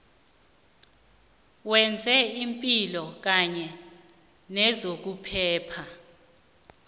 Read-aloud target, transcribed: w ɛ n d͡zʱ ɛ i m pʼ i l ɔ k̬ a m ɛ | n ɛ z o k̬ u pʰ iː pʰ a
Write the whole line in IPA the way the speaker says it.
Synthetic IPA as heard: w ɛ n d͡zʱ ɛ i m pʼ i l ɔ k̬ a ɲ ɛ | n ɛ z o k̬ u pʰ ɛː pʰ a